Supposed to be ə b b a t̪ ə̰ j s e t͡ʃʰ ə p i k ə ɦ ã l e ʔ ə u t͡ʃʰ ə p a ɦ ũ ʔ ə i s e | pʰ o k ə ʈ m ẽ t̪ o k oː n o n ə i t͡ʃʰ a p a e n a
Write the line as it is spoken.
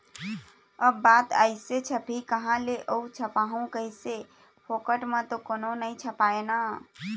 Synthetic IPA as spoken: ə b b a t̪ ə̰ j s e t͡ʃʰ ə p i k ə ɦ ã l e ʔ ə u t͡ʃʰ ə p a ɦ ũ k ə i s e | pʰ o k ə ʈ m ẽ t̪ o k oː n o n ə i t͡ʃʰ ə p a e n a